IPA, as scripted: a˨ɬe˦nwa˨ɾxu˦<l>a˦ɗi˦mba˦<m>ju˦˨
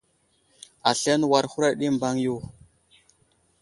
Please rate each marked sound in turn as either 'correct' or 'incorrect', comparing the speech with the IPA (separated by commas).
incorrect, incorrect